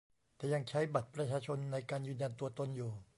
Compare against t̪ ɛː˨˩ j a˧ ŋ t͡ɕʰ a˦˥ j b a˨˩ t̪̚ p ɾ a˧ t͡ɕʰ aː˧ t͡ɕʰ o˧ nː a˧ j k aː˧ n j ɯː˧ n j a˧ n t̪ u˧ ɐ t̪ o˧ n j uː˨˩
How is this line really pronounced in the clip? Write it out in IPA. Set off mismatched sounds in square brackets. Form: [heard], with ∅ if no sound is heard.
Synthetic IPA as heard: t̪ ɛː˨˩ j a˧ ŋ t͡ɕʰ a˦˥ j b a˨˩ t̪̚ p ɾ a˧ t͡ɕʰ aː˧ t͡ɕʰ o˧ nː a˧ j k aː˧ n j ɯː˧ n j a˧ n t̪ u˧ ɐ t̪ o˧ n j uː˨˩

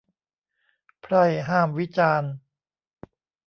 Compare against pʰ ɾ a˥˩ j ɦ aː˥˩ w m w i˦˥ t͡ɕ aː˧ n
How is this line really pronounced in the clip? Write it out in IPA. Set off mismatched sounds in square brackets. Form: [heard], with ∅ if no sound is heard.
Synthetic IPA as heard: pʰ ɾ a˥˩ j ɦ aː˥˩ [∅] m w i˦˥ t͡ɕ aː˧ n

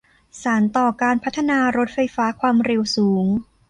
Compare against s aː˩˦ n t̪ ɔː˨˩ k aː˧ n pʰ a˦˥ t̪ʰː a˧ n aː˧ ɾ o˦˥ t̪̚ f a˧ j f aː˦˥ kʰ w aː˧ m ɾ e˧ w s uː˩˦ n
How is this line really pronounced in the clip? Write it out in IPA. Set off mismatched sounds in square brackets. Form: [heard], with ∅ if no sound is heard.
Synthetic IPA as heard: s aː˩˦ n t̪ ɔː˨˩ k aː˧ n pʰ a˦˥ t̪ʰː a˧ n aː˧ ɾ o˦˥ t̪̚ f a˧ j f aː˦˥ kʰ w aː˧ m ɾ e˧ w s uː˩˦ [ŋ]

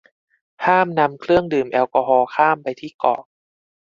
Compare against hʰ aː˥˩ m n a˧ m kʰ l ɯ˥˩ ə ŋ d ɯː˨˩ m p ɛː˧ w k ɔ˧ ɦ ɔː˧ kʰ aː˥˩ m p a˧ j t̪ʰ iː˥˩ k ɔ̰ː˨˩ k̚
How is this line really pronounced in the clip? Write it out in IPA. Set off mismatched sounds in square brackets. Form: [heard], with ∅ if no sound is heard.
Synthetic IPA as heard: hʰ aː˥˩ m n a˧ m kʰ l ɯ˥˩ ə ŋ d ɯː˨˩ m [ʔ] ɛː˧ w k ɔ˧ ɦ ɔː˧ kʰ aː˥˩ m p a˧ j t̪ʰ iː˥˩ k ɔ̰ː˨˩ k̚

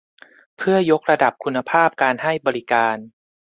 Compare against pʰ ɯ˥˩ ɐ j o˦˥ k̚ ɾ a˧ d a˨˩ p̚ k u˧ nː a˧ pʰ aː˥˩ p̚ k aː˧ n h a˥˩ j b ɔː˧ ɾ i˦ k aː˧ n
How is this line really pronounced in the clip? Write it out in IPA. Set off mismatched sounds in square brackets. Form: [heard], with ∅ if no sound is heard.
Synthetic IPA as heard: pʰ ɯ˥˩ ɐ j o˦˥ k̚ ɾ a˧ d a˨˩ p̚ [kʰ] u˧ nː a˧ pʰ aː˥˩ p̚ k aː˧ n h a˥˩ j b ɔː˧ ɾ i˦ k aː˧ n

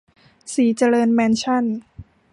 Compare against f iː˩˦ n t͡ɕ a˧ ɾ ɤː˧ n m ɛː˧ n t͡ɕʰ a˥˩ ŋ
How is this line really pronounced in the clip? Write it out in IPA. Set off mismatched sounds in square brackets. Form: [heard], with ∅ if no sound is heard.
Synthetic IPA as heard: [s] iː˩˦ [∅] t͡ɕ a˧ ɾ ɤː˧ n m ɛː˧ n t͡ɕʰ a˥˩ [n]

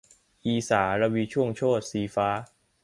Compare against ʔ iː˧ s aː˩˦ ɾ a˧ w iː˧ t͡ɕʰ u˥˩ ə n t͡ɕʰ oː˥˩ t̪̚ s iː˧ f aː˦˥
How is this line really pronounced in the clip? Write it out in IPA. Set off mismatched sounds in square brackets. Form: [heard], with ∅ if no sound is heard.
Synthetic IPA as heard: ʔ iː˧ s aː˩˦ ɾ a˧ w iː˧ t͡ɕʰ u˥˩ ə [ŋ] t͡ɕʰ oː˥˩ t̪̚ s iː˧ f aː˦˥

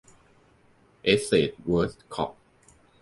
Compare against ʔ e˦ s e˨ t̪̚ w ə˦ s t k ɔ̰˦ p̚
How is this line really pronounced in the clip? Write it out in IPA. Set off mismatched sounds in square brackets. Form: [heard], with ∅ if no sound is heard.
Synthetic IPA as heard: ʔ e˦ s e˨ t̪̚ w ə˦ s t [kʰ] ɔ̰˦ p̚

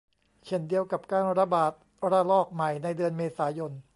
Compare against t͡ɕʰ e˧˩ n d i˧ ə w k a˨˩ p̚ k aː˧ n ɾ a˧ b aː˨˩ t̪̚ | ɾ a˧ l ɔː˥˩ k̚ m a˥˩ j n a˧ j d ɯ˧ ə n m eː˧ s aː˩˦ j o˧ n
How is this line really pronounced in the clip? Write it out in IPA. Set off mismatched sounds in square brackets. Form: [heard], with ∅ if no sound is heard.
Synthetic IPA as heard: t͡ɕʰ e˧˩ n d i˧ ə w k a˨˩ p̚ k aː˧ n ɾ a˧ b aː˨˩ t̪̚ | ɾ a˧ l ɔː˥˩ k̚ m [a˨˩] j n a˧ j d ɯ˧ ə n m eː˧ s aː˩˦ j o˧ n

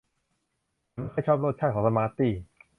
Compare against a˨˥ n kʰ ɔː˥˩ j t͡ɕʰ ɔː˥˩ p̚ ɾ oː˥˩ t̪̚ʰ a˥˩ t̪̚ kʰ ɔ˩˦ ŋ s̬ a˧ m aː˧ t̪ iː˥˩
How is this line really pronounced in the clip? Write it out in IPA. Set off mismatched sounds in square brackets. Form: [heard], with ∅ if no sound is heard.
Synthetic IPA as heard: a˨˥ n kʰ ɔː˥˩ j t͡ɕʰ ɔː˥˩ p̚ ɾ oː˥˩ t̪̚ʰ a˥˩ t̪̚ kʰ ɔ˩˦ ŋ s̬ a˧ m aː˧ t̪ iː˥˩

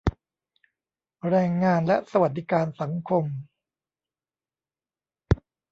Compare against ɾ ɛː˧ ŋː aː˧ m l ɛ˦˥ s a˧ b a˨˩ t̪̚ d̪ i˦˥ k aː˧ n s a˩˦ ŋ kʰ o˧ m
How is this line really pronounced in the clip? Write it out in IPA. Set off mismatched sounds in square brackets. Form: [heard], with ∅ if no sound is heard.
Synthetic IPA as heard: ɾ ɛː˧ ŋː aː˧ [n] l ɛ˦˥ s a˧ [w] a˨˩ t̪̚ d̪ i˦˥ k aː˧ n s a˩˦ ŋ kʰ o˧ m

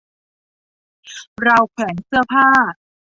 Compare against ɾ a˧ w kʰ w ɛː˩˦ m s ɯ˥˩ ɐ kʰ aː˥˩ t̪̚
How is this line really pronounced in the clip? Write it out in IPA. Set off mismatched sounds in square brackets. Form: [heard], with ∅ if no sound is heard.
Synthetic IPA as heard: ɾ a˧ w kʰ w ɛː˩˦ [n] s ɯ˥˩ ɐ [pʰ] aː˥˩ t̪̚

